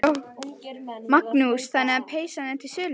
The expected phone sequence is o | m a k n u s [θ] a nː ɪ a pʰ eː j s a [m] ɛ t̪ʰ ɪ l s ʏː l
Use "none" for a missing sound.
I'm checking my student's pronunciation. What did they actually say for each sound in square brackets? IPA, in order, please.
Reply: θ, n

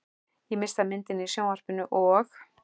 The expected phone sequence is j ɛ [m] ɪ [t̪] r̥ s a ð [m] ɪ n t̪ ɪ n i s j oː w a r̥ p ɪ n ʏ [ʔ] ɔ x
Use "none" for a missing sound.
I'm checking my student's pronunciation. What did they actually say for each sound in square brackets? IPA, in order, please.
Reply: m, none, m, ʔ

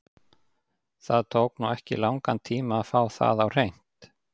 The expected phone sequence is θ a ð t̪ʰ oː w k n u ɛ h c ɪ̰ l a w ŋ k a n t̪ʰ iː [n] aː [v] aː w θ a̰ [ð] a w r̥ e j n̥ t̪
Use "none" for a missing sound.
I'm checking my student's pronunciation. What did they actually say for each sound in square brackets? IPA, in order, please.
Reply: m, f, ð

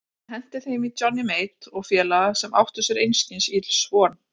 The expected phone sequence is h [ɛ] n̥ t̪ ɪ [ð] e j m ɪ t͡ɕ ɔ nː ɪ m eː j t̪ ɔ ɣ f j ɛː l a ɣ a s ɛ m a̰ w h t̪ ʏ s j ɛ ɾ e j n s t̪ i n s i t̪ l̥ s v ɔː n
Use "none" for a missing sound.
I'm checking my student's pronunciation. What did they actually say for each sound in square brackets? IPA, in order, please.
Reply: ɛ, θ

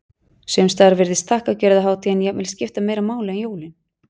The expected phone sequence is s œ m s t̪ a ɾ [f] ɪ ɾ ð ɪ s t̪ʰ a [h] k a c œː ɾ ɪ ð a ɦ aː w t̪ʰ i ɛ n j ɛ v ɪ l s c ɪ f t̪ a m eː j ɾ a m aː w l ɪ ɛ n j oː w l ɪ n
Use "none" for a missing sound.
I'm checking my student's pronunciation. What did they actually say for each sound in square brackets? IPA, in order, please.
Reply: v, h

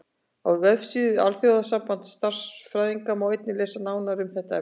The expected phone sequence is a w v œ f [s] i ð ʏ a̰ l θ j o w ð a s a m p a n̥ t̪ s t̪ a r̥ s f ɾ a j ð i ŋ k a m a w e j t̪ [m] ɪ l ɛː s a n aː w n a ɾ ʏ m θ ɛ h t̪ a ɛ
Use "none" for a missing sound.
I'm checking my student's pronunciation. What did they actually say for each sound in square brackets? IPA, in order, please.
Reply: s, n

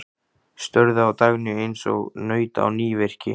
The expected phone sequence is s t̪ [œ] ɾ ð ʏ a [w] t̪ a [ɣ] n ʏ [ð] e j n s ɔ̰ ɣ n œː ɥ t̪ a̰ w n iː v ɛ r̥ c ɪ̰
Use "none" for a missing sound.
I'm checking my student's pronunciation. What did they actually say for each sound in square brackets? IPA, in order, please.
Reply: œ, w, ɣ, none

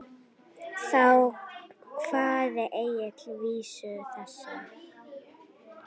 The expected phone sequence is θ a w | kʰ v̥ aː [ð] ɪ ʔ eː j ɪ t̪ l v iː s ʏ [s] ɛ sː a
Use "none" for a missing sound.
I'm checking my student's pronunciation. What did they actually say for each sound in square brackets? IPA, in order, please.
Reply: ð, θ

